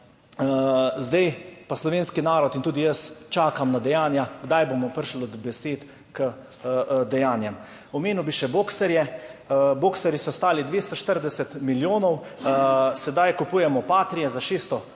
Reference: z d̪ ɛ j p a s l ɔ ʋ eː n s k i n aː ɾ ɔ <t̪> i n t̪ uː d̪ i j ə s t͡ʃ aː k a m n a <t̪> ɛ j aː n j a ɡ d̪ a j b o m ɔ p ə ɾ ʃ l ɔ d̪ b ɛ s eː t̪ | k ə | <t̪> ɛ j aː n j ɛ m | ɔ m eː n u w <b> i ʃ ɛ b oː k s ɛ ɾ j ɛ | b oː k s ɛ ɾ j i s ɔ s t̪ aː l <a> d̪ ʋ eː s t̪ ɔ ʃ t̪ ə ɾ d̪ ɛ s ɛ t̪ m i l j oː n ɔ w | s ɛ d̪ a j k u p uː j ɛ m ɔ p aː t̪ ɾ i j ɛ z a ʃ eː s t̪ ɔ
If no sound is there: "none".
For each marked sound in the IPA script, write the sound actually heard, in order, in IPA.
t̪, d̪, d̪, b, i

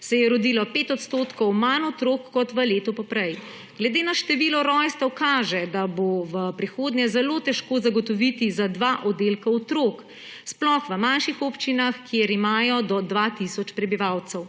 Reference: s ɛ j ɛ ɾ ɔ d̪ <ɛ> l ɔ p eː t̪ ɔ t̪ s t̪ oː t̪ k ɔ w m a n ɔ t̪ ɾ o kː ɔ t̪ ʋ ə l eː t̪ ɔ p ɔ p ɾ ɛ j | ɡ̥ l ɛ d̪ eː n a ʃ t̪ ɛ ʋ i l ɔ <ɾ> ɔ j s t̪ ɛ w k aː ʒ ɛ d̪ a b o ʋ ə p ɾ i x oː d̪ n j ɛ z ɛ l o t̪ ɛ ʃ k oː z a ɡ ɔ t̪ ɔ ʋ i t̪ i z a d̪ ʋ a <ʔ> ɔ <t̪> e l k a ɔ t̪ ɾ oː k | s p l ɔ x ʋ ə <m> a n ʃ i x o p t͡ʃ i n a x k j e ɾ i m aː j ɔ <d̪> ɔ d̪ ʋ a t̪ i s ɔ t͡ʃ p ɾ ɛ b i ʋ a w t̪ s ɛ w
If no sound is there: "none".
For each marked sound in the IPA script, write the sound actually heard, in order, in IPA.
i, ɾ, ʔ, d̪, m, d̪

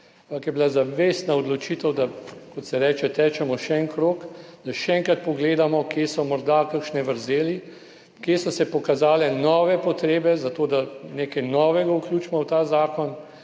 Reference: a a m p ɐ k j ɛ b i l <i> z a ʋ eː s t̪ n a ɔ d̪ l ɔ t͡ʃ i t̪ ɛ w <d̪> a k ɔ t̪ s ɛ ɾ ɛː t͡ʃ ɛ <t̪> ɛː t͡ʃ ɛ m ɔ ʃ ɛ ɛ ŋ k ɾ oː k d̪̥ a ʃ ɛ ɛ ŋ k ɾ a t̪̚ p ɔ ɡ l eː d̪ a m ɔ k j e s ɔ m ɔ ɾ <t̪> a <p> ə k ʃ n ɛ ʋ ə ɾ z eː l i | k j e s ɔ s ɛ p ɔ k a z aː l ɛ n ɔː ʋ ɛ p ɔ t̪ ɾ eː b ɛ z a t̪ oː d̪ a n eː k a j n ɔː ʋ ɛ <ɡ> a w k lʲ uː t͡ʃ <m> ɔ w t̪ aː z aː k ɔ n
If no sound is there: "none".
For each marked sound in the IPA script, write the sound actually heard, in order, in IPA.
a, d̪, t̪, d̪, k, ɡ, m

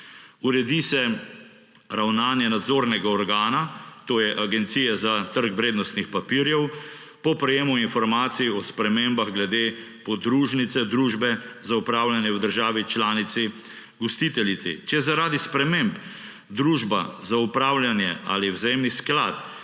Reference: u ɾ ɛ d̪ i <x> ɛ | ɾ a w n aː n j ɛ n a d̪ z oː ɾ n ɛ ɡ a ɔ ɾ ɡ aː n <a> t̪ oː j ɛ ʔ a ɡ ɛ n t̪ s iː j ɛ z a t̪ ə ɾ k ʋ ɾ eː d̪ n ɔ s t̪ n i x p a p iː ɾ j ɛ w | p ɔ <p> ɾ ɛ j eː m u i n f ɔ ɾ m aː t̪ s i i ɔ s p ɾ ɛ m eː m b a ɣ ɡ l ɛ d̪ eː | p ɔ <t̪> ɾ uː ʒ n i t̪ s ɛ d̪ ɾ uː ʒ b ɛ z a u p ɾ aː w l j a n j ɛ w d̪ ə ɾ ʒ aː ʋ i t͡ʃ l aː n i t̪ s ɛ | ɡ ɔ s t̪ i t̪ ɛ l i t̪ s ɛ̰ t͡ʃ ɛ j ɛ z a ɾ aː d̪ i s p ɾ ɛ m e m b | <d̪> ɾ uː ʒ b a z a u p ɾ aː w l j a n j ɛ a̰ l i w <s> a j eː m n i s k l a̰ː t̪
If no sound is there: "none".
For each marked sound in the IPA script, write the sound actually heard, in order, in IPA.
s, a, p, d̪, d̪, z

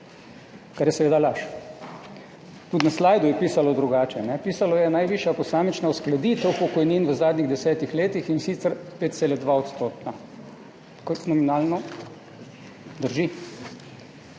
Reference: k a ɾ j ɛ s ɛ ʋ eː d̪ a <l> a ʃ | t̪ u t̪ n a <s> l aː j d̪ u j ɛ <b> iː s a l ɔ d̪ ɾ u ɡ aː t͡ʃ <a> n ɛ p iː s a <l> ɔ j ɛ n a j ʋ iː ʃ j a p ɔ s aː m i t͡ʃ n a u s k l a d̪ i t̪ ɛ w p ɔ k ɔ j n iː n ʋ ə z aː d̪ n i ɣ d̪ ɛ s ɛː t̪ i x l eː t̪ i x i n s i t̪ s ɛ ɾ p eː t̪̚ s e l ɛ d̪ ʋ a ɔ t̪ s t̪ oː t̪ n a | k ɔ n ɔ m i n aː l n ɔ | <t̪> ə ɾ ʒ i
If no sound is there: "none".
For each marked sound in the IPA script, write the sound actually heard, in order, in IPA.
l, s, p, ɛ, l, d̪

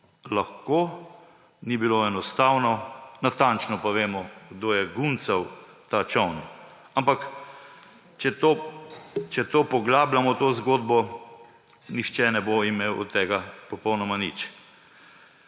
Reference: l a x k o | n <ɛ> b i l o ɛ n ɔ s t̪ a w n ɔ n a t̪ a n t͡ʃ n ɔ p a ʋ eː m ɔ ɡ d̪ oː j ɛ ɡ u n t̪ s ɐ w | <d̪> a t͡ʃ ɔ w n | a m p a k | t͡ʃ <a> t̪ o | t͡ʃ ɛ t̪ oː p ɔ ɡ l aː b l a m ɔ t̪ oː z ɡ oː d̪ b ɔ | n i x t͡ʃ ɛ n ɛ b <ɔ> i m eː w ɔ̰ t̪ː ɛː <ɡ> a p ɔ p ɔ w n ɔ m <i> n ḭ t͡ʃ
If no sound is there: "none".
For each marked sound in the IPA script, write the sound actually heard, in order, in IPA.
i, t̪, ɛ, o, ɡ, a

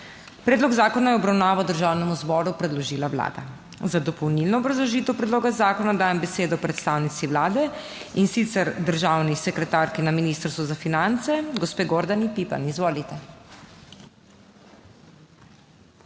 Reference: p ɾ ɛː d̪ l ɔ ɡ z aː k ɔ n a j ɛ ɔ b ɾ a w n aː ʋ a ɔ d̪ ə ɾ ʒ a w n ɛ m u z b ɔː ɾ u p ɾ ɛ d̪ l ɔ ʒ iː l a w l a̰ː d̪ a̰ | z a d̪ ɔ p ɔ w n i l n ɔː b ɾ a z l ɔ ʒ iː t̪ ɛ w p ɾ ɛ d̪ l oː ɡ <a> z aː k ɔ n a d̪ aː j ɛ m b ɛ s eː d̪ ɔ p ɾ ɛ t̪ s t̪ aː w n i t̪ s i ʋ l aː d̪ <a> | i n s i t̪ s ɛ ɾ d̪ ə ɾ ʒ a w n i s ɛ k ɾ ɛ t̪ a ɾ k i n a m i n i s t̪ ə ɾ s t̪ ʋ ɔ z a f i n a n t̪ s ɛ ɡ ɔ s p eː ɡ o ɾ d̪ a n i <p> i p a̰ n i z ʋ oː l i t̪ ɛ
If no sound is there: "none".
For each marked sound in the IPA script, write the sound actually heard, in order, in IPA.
a, ɛ, p

